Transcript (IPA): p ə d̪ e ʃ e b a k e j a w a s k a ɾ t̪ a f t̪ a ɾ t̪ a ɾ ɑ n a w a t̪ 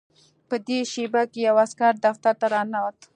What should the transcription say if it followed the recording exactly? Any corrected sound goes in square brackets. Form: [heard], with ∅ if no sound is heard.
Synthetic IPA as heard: p ə d̪ e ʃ e b a k e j a w a s k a ɾ [d̪] a f t̪ a ɾ t̪ a ɾ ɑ n a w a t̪